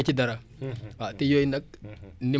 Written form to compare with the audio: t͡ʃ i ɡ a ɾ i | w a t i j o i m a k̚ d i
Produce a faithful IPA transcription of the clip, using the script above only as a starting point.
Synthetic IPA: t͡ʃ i d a ɾ a | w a t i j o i n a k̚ n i

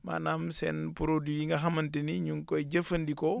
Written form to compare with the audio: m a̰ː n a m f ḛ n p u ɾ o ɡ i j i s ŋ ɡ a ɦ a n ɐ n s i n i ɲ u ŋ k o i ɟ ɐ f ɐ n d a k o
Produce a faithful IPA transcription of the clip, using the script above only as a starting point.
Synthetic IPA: m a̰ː n a m s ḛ n p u ɾ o d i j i ŋ ɡ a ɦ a m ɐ n t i n i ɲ u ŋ k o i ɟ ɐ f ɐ n d i k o

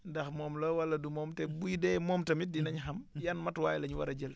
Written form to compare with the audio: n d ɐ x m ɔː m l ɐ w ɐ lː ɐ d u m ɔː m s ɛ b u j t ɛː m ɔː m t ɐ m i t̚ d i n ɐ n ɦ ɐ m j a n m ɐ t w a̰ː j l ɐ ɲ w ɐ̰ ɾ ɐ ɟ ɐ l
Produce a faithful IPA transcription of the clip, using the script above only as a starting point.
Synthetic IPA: n d ɐ x m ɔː m l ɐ w ɐ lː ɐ d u m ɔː m t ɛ b u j d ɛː m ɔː m t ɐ m i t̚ d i n ɐ ɲ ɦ ɐ m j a n m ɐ t w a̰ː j l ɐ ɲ w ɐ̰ ɾ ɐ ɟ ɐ l

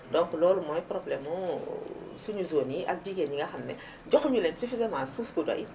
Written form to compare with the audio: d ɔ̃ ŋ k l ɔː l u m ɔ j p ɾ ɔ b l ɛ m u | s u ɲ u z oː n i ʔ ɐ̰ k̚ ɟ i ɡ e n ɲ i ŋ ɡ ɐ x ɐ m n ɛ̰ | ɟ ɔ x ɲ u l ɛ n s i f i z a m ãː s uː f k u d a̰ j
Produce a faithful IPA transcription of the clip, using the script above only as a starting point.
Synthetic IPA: d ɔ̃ ŋ k l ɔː l u m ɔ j p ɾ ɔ b l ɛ m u | s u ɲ u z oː n i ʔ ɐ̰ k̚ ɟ i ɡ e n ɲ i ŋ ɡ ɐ x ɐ m n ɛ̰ | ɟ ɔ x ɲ u l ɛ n s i f i z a m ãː s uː f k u d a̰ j

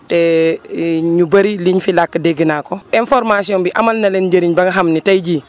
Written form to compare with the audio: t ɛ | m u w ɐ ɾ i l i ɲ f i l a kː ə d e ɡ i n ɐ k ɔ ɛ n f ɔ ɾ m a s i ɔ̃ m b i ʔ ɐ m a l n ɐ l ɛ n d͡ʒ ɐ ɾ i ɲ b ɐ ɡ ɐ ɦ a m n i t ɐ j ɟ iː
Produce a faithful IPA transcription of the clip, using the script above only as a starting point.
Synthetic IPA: t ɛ | ɲ u b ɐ ɾ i l i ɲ f i l a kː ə d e ɡ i n a k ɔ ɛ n f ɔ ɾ m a s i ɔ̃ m b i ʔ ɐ m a l n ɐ l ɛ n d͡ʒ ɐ ɾ i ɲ b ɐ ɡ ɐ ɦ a m n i t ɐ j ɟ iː

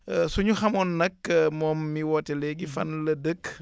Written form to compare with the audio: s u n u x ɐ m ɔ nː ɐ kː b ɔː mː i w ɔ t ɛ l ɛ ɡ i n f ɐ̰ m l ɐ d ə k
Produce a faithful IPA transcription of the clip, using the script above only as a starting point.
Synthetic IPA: s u ɲ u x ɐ m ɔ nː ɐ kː m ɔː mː i w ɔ t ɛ l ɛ ɡ i f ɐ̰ n l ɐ d ə k

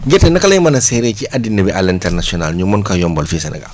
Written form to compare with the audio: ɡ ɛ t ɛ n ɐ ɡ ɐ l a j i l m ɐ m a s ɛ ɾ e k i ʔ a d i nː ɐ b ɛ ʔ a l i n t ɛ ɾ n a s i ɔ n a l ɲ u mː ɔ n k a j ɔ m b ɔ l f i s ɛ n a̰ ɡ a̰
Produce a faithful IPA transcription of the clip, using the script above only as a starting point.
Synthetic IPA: ɡ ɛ t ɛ n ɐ k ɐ l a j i m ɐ n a s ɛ ɾ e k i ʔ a d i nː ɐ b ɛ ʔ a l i n t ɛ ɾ n a s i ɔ n a l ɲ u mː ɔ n k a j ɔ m b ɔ l f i s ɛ n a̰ ɡ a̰

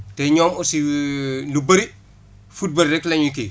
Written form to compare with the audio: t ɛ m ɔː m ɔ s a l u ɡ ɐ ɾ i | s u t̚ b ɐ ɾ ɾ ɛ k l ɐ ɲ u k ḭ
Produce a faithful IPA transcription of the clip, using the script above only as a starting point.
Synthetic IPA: t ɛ ɲ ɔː m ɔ s i l u b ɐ ɾ i | f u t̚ b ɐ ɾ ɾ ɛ k l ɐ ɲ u k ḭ

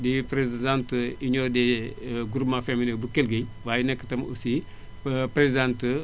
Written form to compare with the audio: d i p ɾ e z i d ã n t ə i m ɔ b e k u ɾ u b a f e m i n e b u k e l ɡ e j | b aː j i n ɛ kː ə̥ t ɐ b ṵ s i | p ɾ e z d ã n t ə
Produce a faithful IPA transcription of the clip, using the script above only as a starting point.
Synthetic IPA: d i p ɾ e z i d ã n t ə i ɲ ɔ d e ɡ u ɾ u m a f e m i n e b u k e l ɡ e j | w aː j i n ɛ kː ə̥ t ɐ m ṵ s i | p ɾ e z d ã n t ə

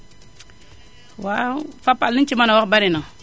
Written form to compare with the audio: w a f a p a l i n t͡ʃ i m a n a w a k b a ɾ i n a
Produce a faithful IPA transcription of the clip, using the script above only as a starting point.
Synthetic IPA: w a f a p a l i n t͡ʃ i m a n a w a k b a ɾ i n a

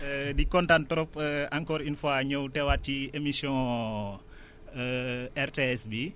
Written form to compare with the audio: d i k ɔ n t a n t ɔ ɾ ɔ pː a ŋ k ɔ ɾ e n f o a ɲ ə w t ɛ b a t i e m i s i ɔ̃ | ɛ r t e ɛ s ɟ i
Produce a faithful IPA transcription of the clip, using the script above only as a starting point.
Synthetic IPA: d i k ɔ n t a n t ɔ ɾ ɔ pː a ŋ k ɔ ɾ i n f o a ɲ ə w t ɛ w a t i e m i s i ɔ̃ | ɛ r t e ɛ s b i

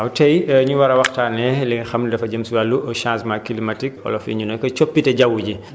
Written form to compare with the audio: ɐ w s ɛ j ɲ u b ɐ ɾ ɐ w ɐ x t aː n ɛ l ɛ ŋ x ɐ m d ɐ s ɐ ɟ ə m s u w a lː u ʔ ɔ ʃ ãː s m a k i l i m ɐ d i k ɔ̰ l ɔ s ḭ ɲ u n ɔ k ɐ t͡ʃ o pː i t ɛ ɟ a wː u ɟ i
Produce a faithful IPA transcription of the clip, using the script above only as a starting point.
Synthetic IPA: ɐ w t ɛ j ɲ u w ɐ ɾ ɐ w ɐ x t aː n ɛ l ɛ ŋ x ɐ m d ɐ f ɐ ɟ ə m s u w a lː u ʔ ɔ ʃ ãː s m a k i l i m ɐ t i k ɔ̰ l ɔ f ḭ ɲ u n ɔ k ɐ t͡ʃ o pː i t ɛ ɟ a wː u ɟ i

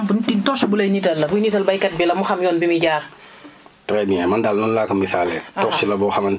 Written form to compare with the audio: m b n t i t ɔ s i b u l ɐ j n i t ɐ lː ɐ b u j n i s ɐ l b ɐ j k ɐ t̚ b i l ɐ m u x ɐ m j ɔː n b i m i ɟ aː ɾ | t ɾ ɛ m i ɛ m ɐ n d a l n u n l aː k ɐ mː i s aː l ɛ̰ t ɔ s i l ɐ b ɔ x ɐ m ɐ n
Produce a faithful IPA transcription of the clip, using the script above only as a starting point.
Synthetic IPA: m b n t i t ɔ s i b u l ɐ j n i t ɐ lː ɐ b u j n i t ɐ l b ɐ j k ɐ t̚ b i l ɐ m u x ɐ m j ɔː n b i m i ɟ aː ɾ | t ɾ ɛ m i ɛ m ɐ n d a l n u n l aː k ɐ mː i s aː l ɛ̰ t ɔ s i l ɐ b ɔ x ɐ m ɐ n

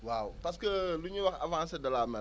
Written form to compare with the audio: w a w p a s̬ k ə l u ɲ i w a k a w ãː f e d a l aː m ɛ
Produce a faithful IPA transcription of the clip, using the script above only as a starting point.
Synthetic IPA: w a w p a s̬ k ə l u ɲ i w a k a v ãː s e d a l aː m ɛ

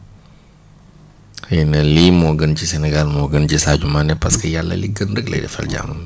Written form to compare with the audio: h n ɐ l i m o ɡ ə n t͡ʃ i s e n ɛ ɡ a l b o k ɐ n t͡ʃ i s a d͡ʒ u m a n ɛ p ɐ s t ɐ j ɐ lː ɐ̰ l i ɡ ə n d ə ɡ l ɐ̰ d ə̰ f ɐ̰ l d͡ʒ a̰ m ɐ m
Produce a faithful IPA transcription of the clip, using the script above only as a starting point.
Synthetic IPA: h n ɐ l i m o ɡ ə n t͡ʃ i s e n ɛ ɡ a l m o ɡ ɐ n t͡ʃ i s a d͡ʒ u m a n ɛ p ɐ s k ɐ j a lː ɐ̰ l i ɡ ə n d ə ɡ l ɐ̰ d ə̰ f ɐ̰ l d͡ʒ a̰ m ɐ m

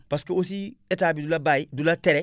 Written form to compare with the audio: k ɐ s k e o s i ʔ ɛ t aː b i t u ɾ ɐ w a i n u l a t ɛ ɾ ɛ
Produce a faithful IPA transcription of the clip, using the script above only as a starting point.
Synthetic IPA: p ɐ s k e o s i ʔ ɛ t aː b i d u l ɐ b a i d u l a t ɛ ɾ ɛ

